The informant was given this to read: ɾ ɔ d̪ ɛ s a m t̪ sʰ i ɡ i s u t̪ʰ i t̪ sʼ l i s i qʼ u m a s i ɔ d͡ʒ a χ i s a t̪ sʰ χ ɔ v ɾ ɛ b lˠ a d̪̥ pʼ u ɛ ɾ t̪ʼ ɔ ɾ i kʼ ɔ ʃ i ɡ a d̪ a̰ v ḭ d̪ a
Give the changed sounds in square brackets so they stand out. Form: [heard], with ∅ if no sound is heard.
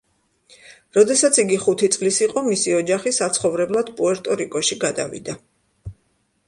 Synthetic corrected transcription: ɾ ɔ d̪ ɛ s a [∅] t̪ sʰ i ɡ i [χ] u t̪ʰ i t̪ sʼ l i s i qʼ [ɔ] m [i] s i ɔ d͡ʒ a χ i s a t̪ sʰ χ ɔ v ɾ ɛ b lˠ a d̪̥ pʼ u ɛ ɾ t̪ʼ ɔ ɾ i kʼ ɔ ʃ i ɡ a d̪ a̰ v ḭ d̪ a